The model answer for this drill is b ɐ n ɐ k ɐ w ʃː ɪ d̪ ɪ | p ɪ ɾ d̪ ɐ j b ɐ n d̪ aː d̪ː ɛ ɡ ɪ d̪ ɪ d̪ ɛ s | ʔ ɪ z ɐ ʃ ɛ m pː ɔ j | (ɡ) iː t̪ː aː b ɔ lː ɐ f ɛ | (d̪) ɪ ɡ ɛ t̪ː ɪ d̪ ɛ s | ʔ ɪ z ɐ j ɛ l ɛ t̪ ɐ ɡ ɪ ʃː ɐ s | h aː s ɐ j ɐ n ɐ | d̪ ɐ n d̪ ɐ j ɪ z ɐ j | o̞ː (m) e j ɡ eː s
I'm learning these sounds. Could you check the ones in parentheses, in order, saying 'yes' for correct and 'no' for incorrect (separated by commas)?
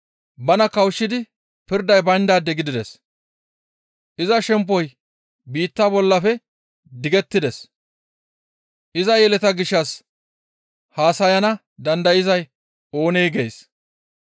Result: no, yes, no